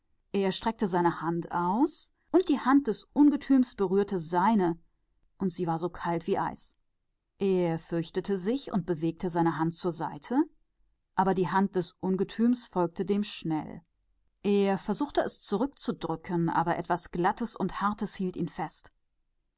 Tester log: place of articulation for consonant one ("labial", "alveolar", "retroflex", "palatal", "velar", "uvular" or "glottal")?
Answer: glottal